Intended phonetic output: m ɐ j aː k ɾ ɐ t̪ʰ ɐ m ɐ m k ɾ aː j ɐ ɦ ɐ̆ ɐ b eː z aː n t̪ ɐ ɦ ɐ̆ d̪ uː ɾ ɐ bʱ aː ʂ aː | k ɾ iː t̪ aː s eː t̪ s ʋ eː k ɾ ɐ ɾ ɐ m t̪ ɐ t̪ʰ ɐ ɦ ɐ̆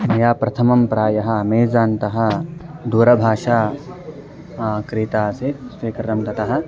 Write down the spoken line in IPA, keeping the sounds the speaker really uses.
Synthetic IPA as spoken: m ɐ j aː p ɾ ɐ t̪ʰ ɐ m ɐ m p ɾ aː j ɐ ɦ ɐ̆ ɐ m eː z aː n t̪ ɐ ɦ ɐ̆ d̪ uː ɾ ɐ bʱ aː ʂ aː | k ɾ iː t̪ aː s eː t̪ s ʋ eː k ɾ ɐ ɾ ɐ m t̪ ɐ t̪ ɐ ɦ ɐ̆